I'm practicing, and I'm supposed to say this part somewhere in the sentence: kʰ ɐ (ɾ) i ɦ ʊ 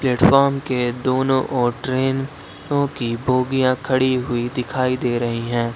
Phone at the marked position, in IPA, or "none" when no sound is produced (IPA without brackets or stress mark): ɽ